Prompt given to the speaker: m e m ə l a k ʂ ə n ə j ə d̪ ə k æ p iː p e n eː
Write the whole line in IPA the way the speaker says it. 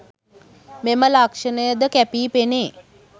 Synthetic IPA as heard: m e m ə l a k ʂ ə n ə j ə d̪ ə k æ p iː p e n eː

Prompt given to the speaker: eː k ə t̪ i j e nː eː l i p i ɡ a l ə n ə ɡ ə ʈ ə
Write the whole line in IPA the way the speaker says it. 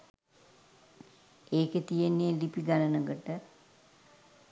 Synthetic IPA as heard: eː k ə t̪ i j e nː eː l i p i ɡ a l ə n ə ɡ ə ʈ ə

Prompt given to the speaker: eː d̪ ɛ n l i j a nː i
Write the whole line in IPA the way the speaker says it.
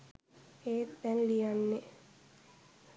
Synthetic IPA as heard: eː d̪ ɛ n l i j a nː e

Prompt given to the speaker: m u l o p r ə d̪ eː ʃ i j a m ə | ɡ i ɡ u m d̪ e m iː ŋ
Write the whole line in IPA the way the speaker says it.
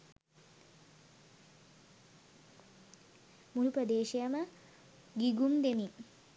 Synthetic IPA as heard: m u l u p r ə d̪ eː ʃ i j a m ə | ɡ i ɡ u m d̪ e m i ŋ

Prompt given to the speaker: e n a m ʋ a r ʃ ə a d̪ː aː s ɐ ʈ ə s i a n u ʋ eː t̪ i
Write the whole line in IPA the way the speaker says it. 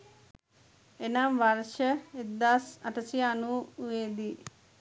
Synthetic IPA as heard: e n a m ʋ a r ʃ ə e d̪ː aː s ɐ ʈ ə s i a n u ʋ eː d̪ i

